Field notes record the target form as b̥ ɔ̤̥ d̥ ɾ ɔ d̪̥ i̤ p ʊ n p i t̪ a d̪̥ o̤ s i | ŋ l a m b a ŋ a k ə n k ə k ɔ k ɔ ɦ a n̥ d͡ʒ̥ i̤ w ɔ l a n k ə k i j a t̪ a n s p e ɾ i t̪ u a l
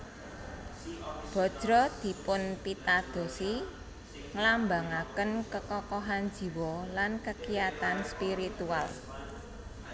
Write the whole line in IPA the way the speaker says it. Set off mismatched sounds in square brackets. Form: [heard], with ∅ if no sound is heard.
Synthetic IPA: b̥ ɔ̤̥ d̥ ɾ ɔ d̪̥ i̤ p ʊ n p i t̪ a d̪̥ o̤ s i | ŋ l a m b a ŋ a k ə n k ə k ɔ k ɔ ɦ a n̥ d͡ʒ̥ i̤ w ɔ l a n k ə k i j a t̪ a n s p [i] ɾ i t̪ u a l

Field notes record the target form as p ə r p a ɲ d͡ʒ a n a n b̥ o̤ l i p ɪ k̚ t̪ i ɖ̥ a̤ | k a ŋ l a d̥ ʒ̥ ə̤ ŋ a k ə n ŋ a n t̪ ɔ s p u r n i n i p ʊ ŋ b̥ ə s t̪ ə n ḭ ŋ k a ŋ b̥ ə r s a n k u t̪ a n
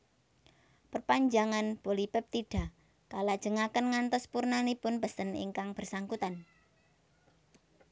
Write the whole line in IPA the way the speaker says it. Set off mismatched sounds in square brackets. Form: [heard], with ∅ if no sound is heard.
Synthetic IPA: p ə r p a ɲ d͡ʒ a [ŋ] a n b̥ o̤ l i p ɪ [p̚] t̪ i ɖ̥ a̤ | k a [∅] l a d̥ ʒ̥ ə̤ ŋ a k ə n ŋ a n t̪ ɔ s p u r n [a] n i p ʊ [n] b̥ ə s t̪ ə n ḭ ŋ k a ŋ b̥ ə r s a [ŋ] k u t̪ a n

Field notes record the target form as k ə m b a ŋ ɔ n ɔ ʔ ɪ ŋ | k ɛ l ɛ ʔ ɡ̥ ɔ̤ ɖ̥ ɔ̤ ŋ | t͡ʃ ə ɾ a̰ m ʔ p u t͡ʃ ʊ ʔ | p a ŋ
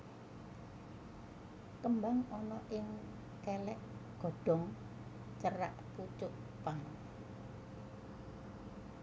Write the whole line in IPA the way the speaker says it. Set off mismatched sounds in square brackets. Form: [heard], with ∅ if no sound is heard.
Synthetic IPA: k ə m b a ŋ ɔ n ɔ ʔ ɪ ŋ | k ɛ l ɛ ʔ ɡ̥ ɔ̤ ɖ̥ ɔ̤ ŋ | t͡ʃ ə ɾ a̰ [∅] ʔ p u t͡ʃ ʊ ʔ | p a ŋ

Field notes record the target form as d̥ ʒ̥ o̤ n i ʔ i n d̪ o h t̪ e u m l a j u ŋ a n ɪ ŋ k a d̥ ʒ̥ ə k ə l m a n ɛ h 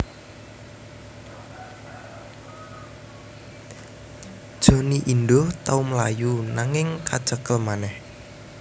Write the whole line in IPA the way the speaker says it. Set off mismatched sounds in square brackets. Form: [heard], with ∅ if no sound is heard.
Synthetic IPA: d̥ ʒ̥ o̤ n i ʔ i n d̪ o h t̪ [a] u m l a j u [n] a [ŋ] ɪ ŋ k a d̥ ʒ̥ ə k ə l m a n ɛ h

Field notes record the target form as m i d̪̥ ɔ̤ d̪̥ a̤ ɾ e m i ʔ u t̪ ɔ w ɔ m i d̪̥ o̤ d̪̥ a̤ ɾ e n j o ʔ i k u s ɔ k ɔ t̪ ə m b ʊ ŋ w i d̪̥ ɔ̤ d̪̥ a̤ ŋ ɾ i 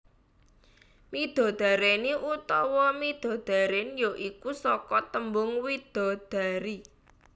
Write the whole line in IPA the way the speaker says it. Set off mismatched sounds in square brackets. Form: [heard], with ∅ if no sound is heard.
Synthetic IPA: m i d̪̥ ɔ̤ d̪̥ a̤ ɾ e [n] i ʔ u t̪ ɔ w ɔ m i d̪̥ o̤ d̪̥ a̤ ɾ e n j o ʔ i k u s ɔ k ɔ t̪ ə m b ʊ ŋ w i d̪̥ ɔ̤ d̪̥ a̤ [∅] ɾ i

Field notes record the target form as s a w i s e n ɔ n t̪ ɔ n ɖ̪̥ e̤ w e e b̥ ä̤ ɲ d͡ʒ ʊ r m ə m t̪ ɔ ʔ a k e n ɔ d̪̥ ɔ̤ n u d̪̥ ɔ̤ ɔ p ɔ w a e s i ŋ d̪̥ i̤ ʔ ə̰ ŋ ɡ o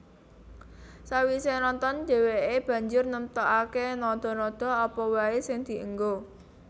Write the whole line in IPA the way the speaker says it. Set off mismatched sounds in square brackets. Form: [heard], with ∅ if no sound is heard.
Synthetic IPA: s a w i s e n ɔ n t̪ ɔ n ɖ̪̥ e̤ w e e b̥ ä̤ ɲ d͡ʒ ʊ r [n] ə m t̪ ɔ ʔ a k e n ɔ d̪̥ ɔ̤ n [ɔ] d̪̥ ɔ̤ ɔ p ɔ w a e s [ɪ] ŋ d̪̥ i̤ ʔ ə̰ ŋ ɡ o

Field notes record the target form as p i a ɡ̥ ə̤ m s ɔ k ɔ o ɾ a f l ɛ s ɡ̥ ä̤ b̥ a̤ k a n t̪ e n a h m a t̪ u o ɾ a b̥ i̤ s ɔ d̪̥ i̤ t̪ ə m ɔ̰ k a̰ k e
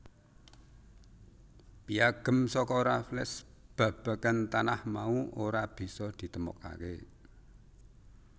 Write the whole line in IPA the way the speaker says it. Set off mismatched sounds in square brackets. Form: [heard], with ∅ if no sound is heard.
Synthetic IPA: p i a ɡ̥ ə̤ m s ɔ k ɔ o ɾ a f l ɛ s [b̥] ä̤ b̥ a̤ k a n t̪ [a] n a h m a [∅] u o ɾ a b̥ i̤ s ɔ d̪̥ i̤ t̪ ə m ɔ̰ k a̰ k e

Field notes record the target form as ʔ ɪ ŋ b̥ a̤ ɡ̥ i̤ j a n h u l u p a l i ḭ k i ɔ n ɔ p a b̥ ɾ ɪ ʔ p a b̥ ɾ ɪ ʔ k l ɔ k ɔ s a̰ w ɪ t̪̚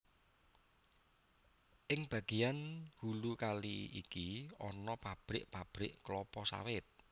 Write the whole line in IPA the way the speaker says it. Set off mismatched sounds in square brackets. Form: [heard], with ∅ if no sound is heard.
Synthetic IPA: ʔ ɪ ŋ b̥ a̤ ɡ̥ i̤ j a n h u l u [k] a l i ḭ k i ɔ n ɔ p a b̥ ɾ ɪ ʔ p a b̥ ɾ ɪ ʔ k l ɔ [p] ɔ s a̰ w ɪ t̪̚

